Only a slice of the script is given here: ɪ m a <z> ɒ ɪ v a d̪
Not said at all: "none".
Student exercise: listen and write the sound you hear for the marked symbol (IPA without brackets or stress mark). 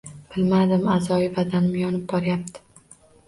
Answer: z